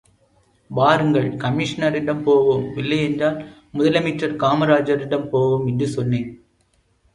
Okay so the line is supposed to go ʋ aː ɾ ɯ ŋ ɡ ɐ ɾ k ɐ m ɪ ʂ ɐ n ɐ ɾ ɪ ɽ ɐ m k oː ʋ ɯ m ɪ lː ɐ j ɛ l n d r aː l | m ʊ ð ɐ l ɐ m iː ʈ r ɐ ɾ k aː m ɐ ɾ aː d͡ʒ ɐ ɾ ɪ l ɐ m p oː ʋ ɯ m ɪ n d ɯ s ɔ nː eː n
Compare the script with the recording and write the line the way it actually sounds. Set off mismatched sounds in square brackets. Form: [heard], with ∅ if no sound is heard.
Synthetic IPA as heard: ʋ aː ɾ ɯ ŋ ɡ ɐ [ɭ] k ɐ m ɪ ʂ ɐ n ɐ ɾ ɪ ɽ ɐ m [p] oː ʋ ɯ m ɪ lː ɐ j ɛ [∅] n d r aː l | m ʊ ð ɐ l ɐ m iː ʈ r ɐ ɾ k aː m ɐ ɾ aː d͡ʒ ɐ ɾ ɪ [ɽ] ɐ m p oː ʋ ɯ m ɪ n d ɯ s ɔ nː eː n